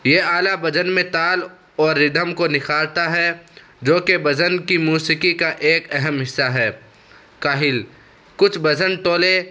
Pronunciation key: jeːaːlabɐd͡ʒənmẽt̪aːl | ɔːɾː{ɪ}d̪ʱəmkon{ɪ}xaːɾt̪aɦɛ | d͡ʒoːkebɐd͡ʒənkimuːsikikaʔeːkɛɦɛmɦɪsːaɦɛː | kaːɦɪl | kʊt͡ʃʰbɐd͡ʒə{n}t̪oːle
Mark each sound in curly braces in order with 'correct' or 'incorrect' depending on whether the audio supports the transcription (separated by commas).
correct, correct, correct